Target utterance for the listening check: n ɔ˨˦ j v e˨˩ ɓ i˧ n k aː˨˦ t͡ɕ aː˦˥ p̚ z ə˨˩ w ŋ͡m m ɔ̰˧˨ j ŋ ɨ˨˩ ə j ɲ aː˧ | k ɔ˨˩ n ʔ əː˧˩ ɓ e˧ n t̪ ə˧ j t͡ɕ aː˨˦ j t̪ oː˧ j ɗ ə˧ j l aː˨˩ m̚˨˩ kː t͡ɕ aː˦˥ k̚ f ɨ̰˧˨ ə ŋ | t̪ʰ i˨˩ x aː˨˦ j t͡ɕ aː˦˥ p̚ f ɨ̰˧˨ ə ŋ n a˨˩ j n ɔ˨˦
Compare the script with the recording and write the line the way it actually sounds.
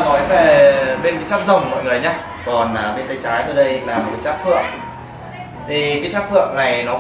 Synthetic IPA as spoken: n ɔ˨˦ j v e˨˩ ɓ e˧ n k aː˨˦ t͡ɕ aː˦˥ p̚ z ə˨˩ w ŋ͡m m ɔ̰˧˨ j ŋ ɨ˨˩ ə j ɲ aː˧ | k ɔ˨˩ n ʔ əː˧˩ ɓ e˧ n t̪ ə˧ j t͡ɕ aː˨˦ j t̪ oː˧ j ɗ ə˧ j l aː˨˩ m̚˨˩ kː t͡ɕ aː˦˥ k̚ f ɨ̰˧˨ ə ŋ | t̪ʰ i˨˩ k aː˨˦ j t͡ɕ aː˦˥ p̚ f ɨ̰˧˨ ə ŋ n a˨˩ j n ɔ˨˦

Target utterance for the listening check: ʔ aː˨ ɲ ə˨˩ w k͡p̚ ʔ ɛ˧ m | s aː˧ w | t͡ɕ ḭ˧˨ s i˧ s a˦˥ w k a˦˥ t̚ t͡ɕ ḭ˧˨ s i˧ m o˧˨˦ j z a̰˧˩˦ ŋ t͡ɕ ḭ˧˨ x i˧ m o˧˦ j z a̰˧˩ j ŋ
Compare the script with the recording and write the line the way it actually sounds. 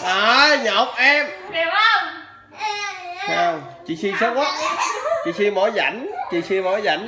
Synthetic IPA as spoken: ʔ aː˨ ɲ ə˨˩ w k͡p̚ ʔ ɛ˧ m | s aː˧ w | t͡ɕ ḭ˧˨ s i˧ s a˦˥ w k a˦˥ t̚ t͡ɕ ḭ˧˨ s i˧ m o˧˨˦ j z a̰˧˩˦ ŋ t͡ɕ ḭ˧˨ s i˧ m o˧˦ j z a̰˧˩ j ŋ

